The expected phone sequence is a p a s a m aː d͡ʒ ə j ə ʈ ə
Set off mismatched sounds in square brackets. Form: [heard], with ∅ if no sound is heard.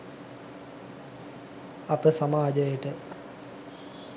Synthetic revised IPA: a p [ə] s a m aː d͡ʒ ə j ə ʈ ə